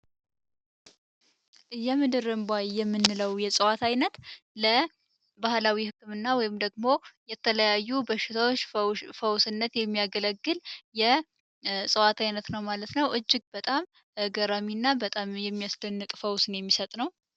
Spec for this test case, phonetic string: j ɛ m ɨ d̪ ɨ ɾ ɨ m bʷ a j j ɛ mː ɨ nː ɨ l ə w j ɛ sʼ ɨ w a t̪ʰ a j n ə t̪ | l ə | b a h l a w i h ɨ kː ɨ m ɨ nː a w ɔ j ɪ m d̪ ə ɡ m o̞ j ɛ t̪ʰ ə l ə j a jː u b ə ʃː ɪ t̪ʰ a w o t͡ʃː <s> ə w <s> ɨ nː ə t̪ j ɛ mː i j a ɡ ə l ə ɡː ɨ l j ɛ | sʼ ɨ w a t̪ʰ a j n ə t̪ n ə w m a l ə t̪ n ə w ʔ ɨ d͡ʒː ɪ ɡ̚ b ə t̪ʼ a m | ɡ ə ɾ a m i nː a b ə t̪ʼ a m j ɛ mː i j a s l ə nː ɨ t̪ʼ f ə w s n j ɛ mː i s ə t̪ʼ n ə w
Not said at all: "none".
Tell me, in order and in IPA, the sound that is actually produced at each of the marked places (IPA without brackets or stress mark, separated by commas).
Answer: f, s